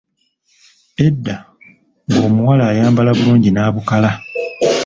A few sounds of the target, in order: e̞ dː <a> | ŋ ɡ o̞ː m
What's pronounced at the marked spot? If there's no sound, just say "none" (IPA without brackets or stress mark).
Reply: a